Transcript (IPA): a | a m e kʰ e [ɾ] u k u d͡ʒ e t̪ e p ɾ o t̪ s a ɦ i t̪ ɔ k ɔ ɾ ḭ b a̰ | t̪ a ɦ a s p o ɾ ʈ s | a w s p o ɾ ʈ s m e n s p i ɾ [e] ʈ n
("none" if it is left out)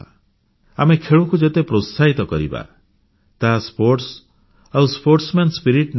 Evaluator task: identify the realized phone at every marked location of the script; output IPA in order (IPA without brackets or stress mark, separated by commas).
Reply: ɭ, i